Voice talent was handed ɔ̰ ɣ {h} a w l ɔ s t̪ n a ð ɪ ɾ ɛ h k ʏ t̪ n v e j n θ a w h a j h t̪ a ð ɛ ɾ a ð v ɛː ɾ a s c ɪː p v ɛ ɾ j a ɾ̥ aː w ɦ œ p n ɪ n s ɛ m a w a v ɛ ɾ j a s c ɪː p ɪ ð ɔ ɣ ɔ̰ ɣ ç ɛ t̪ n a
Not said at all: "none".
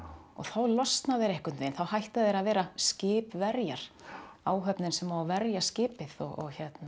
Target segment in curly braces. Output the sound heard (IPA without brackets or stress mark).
θ